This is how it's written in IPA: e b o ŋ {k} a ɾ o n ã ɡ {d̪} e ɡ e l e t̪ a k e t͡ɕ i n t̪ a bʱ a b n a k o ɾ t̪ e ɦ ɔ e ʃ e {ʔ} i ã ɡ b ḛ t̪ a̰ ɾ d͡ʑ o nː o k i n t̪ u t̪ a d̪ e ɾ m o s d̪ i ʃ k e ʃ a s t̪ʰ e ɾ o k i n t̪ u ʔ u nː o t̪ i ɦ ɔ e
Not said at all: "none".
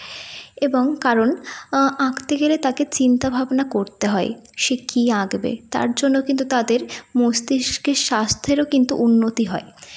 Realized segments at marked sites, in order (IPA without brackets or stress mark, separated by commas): k, t̪, k